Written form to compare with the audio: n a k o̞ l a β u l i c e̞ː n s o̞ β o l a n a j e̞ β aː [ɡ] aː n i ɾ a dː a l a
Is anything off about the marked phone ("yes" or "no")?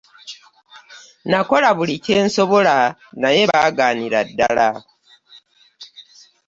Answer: no